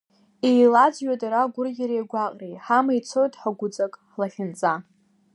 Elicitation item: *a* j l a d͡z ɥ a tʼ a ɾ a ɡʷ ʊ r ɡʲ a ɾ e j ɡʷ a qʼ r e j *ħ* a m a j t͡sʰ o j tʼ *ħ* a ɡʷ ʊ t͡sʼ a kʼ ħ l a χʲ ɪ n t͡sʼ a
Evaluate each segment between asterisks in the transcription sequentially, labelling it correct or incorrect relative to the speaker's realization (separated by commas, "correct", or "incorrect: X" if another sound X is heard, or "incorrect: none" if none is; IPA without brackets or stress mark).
incorrect: e, correct, correct